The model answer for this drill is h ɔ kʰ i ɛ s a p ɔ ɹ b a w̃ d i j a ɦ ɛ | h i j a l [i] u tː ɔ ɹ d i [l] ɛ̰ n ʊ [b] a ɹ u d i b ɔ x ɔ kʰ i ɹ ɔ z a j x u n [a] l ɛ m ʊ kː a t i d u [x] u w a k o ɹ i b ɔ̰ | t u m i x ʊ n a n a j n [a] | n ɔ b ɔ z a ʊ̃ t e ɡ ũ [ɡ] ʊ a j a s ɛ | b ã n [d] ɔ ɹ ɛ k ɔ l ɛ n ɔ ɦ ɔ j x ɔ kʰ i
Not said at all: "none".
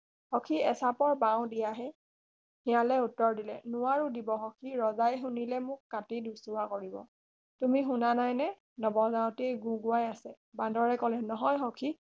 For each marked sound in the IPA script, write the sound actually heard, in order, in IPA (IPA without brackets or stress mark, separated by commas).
ɛ, l, w, i, s, ɛ, ɡ, d